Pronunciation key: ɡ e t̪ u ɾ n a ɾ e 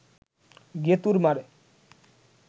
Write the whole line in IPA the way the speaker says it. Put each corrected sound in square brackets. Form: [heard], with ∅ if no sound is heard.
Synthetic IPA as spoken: ɡ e t̪ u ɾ [m] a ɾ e